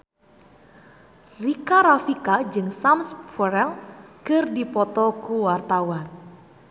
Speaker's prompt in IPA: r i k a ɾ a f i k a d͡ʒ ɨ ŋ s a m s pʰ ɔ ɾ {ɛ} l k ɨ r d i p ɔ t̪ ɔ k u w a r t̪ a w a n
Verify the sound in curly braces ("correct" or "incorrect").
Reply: correct